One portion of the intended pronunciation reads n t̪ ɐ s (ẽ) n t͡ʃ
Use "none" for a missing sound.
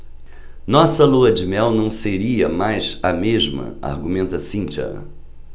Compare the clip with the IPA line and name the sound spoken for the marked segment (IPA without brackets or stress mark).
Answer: ĩ